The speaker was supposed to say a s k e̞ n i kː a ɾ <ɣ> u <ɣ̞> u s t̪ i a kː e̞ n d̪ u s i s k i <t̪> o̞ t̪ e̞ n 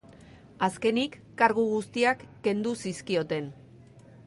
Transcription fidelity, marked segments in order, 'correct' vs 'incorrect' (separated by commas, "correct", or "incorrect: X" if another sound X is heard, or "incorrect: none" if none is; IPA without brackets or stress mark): correct, correct, incorrect: none